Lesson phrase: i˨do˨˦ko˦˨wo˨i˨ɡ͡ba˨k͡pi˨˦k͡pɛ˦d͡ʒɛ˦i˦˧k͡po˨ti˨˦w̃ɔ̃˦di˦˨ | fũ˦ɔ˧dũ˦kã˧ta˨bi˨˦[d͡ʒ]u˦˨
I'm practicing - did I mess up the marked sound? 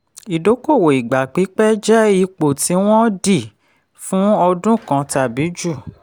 no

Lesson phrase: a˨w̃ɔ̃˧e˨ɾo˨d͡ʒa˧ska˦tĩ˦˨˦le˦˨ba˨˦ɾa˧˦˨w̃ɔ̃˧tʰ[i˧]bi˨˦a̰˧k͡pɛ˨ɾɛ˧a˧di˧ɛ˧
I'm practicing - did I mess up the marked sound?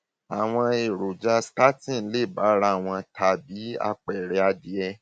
yes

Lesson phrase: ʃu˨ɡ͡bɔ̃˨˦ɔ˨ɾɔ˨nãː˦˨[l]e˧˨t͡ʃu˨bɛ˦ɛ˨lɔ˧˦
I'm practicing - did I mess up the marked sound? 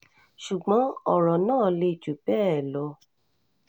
no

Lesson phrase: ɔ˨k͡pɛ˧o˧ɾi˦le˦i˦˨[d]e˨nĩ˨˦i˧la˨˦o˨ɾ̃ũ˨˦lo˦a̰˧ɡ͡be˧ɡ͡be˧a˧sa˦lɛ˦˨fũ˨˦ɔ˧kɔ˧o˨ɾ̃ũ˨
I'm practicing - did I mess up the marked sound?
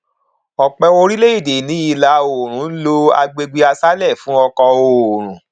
no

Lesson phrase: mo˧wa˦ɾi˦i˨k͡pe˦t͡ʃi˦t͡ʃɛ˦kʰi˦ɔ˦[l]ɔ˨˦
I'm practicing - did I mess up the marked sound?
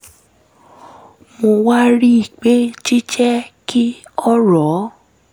yes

